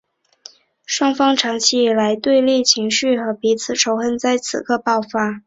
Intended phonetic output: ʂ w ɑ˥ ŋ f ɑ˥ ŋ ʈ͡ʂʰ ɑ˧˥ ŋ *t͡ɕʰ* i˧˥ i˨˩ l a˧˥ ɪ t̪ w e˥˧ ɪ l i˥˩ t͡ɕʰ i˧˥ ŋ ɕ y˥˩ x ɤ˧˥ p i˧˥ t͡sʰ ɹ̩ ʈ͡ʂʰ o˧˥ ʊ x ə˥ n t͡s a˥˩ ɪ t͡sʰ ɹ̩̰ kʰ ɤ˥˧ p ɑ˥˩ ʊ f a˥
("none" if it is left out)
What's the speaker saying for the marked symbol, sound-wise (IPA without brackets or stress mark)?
t͡ɕʰ